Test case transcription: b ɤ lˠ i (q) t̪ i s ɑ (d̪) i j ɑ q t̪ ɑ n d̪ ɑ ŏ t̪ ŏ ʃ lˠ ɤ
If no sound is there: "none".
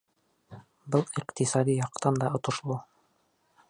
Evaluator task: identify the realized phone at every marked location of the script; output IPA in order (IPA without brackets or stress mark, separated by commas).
q, d̪